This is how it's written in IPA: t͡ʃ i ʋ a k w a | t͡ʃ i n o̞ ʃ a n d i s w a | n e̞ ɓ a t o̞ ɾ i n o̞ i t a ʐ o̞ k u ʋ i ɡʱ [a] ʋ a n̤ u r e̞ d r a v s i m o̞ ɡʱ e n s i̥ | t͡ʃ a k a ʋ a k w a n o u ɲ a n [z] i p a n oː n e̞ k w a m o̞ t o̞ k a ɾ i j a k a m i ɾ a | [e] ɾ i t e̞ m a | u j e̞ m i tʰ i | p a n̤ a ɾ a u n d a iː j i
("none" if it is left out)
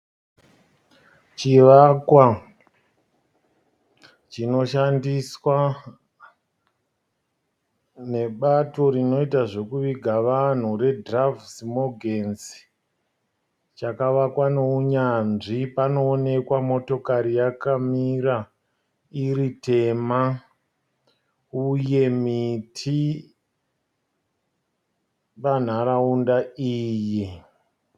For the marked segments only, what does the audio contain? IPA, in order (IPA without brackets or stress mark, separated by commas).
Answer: a, ʐ, i